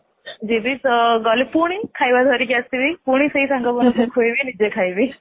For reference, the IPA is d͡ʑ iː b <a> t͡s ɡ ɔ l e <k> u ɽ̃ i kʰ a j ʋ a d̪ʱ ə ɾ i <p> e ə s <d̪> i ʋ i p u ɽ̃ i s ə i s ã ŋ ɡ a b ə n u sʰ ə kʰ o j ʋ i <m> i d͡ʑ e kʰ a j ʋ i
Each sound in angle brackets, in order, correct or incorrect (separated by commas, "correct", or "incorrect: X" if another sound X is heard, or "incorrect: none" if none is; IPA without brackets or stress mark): incorrect: i, incorrect: p, incorrect: k, incorrect: t̪, incorrect: n